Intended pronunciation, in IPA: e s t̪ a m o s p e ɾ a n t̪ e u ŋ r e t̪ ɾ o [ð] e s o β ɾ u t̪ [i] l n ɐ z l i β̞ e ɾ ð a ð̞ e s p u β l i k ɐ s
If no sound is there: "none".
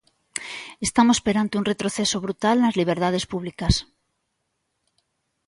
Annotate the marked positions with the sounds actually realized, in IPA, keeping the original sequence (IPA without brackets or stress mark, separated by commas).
θ, a